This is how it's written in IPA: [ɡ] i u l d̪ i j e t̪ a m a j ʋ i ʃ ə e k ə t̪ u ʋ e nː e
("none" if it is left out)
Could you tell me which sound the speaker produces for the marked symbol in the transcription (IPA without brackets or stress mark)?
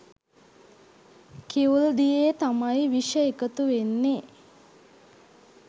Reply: k